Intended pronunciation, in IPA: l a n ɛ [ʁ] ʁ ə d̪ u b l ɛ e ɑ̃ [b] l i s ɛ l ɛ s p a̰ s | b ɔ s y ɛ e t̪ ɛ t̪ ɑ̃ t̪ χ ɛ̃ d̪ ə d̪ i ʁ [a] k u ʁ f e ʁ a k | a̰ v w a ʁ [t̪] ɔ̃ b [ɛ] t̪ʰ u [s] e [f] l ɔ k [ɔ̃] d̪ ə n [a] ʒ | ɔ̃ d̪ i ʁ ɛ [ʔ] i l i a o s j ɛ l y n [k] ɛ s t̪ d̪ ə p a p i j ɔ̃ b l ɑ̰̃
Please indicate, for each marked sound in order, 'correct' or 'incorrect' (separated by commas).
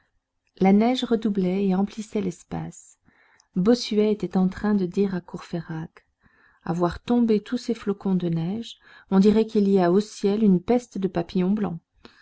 incorrect, incorrect, correct, correct, incorrect, correct, correct, correct, incorrect, incorrect, incorrect